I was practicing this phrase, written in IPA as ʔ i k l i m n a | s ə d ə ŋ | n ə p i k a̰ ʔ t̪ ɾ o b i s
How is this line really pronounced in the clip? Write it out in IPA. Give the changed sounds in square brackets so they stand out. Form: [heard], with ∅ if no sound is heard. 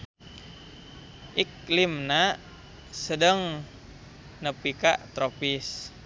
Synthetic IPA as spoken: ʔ i k l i m n a | s ə d ə ŋ | n ə p i k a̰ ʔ t̪ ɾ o [p] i s